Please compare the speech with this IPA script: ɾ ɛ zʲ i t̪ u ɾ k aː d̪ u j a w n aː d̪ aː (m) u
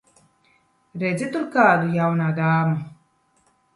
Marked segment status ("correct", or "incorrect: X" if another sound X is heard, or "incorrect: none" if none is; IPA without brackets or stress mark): correct